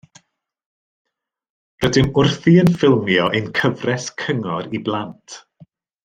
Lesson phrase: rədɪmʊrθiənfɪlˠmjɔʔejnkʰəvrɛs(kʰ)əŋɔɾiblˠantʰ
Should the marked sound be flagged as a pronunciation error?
no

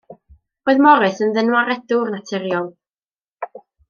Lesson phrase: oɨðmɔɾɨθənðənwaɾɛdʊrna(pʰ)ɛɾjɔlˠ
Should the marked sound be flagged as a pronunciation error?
yes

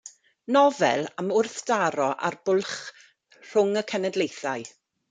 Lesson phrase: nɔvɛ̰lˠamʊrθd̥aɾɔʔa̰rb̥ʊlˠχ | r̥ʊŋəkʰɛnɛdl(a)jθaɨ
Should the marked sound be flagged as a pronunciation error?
yes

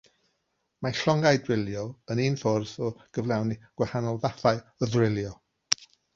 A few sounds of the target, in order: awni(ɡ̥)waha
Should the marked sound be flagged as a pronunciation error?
no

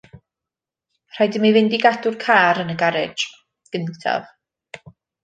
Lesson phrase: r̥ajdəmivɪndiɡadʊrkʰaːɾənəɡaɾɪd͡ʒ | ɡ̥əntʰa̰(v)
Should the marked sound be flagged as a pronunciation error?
no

